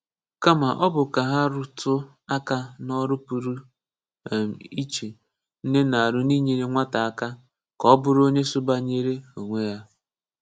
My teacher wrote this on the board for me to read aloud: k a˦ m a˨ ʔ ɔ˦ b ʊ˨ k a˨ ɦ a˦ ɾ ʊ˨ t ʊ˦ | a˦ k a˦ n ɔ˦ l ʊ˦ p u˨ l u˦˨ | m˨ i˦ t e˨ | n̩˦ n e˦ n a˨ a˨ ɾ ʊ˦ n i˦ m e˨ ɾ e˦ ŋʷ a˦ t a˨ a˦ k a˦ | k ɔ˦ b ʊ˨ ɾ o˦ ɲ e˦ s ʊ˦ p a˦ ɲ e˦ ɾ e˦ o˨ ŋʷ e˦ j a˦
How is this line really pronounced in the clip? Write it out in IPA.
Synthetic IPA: k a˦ m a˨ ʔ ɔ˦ b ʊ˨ k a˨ ɦ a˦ ɾ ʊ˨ t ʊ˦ | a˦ k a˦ n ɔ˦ ɾ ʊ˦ p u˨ ɾ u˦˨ | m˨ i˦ t͡ʃ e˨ | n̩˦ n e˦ n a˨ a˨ ɾ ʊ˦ n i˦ ɲ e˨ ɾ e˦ ŋʷ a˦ t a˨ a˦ k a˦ | k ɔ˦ b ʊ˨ ɾ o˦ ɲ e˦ s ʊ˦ b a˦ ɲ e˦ ɾ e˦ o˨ ŋʷ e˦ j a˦